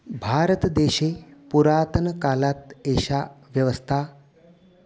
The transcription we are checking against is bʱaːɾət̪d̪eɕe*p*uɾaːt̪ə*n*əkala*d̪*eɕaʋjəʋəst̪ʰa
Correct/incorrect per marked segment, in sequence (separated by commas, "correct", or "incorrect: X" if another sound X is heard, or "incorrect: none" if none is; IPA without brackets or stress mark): correct, correct, incorrect: t̪